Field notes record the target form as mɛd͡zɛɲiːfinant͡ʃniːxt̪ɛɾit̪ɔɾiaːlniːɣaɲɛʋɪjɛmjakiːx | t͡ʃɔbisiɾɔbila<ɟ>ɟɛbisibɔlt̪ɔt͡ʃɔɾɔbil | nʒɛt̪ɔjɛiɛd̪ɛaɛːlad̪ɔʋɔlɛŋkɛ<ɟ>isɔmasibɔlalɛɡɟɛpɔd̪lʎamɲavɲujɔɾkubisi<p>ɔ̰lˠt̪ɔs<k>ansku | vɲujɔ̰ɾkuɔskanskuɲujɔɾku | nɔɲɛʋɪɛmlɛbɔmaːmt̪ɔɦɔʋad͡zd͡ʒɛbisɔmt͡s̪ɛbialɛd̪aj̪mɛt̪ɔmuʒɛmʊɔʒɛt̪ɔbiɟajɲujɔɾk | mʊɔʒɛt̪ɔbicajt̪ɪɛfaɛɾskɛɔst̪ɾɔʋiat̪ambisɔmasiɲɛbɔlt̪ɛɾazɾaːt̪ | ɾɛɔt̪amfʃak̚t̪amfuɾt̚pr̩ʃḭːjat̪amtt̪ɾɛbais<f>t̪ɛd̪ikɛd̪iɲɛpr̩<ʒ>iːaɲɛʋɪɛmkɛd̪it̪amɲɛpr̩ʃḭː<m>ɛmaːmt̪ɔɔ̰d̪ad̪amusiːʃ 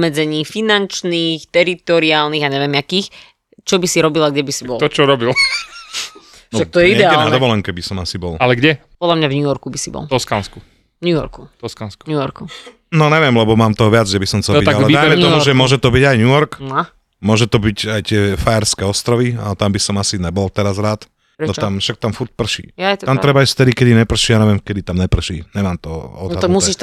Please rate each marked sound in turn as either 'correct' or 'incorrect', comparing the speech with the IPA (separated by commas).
incorrect, incorrect, incorrect, correct, correct, incorrect, incorrect